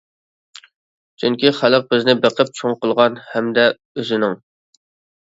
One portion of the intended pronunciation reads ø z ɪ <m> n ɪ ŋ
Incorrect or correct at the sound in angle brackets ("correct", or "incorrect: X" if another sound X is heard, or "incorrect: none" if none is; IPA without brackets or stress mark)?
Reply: incorrect: none